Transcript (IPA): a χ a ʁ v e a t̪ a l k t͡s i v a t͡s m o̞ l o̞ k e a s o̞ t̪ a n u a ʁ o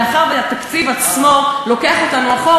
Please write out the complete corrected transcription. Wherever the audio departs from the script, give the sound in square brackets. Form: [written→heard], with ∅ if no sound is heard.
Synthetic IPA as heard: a χ a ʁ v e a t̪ a [l→∅] k t͡s i v a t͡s m o̞ l o̞ k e a [s→χ] o̞ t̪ a n u a [ʁ→χ] o